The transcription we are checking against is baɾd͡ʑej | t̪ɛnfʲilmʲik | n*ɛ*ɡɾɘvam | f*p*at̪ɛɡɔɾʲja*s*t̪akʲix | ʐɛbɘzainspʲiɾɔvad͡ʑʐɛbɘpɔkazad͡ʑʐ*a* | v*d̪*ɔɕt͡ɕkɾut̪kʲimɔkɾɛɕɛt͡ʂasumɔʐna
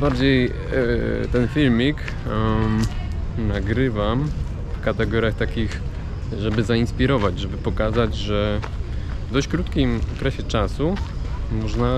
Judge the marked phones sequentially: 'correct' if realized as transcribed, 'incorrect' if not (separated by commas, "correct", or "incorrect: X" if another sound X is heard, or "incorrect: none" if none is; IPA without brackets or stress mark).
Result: incorrect: a, incorrect: k, incorrect: x, incorrect: ɛ, correct